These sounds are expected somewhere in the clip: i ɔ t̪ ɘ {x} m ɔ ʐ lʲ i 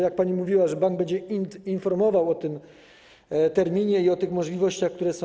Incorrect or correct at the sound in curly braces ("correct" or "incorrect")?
correct